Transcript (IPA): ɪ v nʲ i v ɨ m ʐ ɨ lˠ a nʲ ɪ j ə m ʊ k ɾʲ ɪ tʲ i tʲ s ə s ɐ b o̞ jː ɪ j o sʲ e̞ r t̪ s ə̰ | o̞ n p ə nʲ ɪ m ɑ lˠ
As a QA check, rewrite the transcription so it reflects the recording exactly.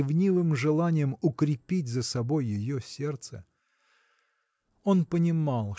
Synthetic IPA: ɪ v nʲ i v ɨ m ʐ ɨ lˠ a nʲ ɪ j ə m ʊ k ɾʲ ɪ pʲ i tʲ z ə s ɐ b o̞ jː ɪ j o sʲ e̞ r t̪ s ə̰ | o̞ n p ə nʲ ɪ m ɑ lˠ

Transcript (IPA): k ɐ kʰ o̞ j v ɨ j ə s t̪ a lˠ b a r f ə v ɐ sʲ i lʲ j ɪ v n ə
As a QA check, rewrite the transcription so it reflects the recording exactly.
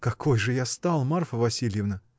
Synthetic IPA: k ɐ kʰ o̞ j ʐ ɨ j a s t̪ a lˠ m a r f ə v ɐ sʲ i lʲ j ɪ v n ə

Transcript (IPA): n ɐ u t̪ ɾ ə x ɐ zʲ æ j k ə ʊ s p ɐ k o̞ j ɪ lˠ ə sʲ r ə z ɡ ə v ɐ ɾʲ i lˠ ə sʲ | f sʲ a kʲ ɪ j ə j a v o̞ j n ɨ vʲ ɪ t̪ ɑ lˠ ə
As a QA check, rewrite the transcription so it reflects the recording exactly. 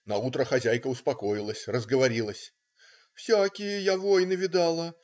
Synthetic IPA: n ɐ u t̪ ɾ ə x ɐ zʲ æ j k ə ʊ s p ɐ k o̞ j ɪ lˠ ə sʲ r ə z ɡ ə v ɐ ɾʲ i lˠ ə sʲ | f sʲ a kʲ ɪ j ə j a v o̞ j n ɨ vʲ ɪ d̪ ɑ lˠ ə

